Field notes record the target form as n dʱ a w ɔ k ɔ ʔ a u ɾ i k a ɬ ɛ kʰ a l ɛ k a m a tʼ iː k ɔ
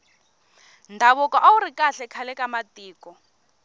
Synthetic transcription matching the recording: n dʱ a β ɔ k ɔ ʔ a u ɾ i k a ɬ ɛ kʰ a l ɛ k a m a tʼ iː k ɔ